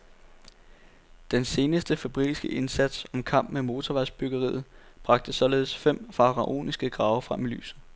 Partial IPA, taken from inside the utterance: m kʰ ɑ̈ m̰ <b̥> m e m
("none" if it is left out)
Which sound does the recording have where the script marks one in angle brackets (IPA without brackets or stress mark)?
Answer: b̥